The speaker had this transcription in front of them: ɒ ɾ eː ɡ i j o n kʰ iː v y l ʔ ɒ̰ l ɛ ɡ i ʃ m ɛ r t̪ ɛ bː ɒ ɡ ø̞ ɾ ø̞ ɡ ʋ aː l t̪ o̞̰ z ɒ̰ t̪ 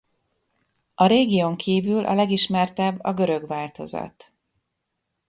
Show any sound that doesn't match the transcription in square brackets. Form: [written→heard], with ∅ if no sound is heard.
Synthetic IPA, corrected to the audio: ɒ ɾ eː ɡ i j o [n→ŋ] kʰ iː v y l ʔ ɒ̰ l ɛ ɡ i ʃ m ɛ r t̪ ɛ bː ɒ ɡ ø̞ ɾ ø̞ ɡ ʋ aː l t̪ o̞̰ z ɒ̰ t̪